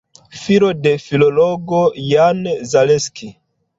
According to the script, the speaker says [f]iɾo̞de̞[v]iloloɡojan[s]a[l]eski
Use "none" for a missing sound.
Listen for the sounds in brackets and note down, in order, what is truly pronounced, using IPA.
f, f, z, l

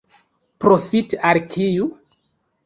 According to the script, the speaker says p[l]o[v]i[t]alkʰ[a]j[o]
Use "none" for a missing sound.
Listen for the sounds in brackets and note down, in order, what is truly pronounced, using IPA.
ɾ, f, t, i, u

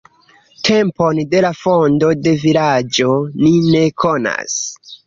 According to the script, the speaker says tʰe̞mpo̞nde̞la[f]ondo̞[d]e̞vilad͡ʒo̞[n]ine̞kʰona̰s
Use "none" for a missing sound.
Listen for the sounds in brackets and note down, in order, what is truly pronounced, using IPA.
f, d, n

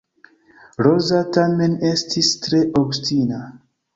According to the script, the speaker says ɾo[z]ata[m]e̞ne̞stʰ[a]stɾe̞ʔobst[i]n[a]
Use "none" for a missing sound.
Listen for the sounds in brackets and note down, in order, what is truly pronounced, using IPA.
z, m, i, i, a

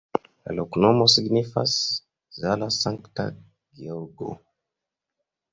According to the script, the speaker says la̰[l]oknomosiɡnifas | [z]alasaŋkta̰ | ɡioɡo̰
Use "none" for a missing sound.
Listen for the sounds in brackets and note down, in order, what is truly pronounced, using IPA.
l, z

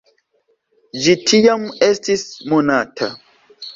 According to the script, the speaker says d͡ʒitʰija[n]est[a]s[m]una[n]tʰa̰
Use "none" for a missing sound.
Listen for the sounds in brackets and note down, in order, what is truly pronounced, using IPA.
m, i, m, none

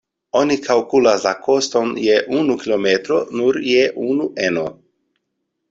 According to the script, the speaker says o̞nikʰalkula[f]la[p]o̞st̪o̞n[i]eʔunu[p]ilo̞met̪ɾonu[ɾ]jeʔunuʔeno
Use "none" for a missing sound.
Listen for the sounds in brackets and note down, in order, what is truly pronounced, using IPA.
s, k, j, k, ɾ

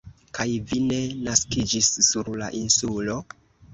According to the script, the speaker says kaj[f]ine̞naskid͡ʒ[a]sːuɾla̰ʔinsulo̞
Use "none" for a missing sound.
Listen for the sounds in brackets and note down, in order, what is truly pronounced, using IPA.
v, i

